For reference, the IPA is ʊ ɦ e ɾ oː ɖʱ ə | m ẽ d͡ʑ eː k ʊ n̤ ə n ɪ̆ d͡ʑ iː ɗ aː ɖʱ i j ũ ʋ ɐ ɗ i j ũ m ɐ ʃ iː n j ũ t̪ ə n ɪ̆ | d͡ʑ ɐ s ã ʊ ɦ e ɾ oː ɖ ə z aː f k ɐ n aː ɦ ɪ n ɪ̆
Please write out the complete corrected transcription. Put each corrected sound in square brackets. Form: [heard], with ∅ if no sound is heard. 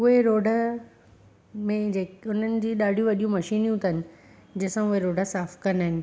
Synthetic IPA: ʊ ɦ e ɾ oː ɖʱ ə | m ẽ d͡ʑ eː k ʊ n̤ ə n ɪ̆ d͡ʑ iː ɗ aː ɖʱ i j ũ ʋ ɐ ɗ i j ũ m ɐ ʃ iː n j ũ t̪ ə n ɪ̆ | d͡ʑ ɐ s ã ʊ ɦ e ɾ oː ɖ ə [s] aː f k ɐ n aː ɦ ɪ n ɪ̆